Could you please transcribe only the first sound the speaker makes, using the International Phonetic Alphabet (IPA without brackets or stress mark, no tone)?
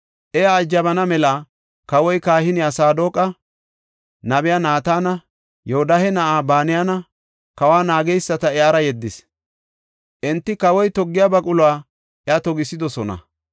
ʔ